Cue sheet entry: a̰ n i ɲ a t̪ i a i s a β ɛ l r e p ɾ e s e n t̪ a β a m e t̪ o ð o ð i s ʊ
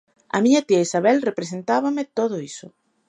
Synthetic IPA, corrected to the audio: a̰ m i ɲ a t̪ i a i s a β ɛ l r e p ɾ e s e n t̪ a β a m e t̪ o ð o i s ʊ